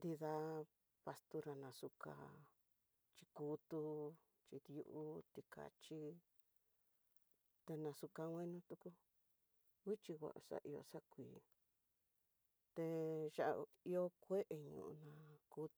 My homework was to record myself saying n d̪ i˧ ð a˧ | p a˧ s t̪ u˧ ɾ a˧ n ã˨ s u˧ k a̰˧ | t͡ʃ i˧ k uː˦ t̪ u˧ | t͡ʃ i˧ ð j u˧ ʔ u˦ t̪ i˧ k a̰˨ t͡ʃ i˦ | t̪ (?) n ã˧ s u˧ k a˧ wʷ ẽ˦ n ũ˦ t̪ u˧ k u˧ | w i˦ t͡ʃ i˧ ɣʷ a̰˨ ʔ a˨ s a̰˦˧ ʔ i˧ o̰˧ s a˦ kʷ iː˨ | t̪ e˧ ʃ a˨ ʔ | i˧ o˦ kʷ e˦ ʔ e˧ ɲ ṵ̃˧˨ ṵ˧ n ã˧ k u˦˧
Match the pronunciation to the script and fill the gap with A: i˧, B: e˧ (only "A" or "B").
B